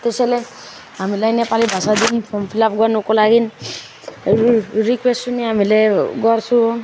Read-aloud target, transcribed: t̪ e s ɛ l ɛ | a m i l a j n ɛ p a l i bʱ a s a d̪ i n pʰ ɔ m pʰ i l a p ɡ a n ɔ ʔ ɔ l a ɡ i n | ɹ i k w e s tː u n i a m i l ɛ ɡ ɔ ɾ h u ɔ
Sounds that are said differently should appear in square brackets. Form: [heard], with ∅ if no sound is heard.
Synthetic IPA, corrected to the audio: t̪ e s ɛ l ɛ | a m i l a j n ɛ p a l i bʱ a s a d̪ i n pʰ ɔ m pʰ i l a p ɡ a n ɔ [k] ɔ l a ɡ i n | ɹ i k w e s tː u n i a m i l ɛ ɡ ɔ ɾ [s] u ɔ